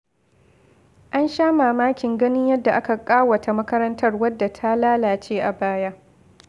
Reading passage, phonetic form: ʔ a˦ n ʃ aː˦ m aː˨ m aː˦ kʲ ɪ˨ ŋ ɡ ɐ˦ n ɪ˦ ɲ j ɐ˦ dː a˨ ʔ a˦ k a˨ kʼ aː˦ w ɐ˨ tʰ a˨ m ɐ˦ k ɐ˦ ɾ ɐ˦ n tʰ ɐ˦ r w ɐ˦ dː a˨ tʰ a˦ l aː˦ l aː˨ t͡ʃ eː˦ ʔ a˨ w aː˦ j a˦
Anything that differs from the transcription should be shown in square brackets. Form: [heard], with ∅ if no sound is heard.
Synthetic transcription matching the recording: ʔ a˦ n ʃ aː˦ m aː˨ m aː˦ kʲ ɪ˨ ŋ ɡ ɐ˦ n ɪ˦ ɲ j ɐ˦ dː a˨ ʔ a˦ k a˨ kʼ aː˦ w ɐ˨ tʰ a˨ m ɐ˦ k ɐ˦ ɾ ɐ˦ n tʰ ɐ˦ r w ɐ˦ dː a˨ tʰ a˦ l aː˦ l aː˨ t͡ʃ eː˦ ʔ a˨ [b] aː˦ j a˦